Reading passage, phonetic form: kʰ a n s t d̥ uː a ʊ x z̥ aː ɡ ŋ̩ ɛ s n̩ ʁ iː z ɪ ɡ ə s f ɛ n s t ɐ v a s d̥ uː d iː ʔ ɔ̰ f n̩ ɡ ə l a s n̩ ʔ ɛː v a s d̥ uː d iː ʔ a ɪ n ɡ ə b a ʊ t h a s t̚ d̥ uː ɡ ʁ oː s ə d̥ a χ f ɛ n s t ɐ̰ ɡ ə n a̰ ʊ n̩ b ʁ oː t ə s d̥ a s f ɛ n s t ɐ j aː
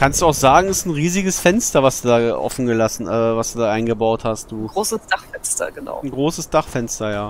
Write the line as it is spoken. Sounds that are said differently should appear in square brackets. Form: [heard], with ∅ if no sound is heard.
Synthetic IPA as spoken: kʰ a n s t d̥ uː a ʊ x z̥ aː ɡ ŋ̩ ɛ s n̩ ʁ iː z ɪ ɡ ə s f ɛ n s t ɐ v a s d̥ uː d [aː] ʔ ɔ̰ f n̩ ɡ ə l a s n̩ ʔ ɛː v a s d̥ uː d [aː] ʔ a ɪ n ɡ ə b a ʊ t h a s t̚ d̥ uː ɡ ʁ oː s ə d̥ a χ f ɛ n s t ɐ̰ ɡ ə n a̰ ʊ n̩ [ɡ] ʁ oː [s] ə s d̥ a [χ] f ɛ n s t ɐ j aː